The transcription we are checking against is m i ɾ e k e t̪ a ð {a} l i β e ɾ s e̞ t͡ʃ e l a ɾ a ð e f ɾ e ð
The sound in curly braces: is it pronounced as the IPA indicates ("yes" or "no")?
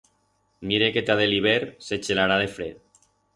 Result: no